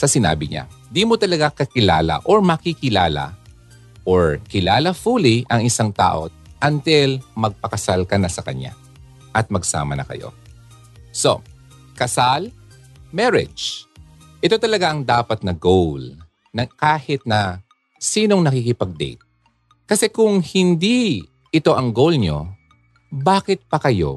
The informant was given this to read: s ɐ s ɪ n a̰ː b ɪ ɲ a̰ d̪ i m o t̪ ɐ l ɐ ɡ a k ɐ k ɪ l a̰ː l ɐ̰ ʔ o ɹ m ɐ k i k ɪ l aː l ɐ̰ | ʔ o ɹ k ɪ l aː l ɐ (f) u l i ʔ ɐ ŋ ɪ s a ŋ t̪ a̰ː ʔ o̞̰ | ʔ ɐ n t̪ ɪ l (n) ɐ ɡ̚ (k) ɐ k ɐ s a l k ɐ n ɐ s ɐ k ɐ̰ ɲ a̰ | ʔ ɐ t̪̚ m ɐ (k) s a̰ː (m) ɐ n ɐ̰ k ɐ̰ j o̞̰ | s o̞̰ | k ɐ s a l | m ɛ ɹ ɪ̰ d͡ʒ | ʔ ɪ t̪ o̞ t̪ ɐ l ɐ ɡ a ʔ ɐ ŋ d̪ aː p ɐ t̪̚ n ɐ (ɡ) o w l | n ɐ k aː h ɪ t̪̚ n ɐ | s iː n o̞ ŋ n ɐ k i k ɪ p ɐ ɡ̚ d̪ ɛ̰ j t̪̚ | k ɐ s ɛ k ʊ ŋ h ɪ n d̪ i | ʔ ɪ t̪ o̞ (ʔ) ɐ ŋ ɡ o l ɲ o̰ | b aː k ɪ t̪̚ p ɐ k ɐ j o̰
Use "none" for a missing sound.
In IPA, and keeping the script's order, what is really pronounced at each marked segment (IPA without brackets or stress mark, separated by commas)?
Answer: f, m, p, ɡ, m, ɡ, ʔ